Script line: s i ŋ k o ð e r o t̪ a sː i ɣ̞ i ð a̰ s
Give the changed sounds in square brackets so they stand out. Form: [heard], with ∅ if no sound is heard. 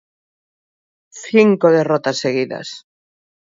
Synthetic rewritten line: [θ] i ŋ k o ð e r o t̪ a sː [e] ɣ̞ i ð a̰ s